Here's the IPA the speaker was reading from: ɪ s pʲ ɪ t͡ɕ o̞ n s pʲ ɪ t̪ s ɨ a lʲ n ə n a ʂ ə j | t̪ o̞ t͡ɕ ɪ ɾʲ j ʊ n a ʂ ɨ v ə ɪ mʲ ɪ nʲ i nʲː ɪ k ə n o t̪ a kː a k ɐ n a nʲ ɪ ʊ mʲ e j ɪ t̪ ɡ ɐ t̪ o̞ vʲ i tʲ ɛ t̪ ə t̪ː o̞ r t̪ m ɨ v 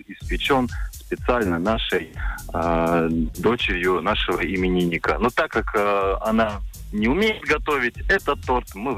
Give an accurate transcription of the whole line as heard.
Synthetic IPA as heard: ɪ s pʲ ɪ t͡ɕ o̞ n s pʲ ɪ t̪ s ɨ a lʲ n ə n a ʂ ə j | d̪ o̞ t͡ɕ ɪ ɾʲ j ʊ n a ʂ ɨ v ə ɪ mʲ ɪ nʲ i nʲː ɪ k ə n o t̪ a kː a k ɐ n a nʲ ɪ ʊ mʲ e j ɪ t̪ ɡ ɐ t̪ o̞ vʲ ɪ tʲ ɛ t̪ ə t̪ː o̞ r t̪ m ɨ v